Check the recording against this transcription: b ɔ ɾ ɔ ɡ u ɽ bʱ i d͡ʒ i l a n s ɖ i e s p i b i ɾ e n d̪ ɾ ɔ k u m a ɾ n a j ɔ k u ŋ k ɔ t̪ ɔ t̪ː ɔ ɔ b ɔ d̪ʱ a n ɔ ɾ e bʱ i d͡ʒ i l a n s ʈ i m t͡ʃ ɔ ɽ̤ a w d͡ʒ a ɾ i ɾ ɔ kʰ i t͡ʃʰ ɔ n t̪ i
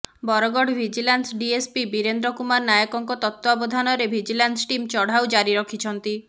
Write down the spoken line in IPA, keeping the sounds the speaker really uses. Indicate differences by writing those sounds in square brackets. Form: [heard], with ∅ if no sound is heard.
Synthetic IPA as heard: b ɔ ɾ ɔ ɡ [ɔ] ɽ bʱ i d͡ʒ i l a n s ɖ i e s p i b i ɾ e n d̪ ɾ ɔ k u m a ɾ n a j ɔ k [ɔ] ŋ k ɔ t̪ ɔ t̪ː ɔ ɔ b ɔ d̪ʱ a n ɔ ɾ e bʱ i d͡ʒ i l a n s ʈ i m t͡ʃ ɔ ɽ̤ a w d͡ʒ a ɾ i ɾ ɔ kʰ i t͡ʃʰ ɔ n t̪ i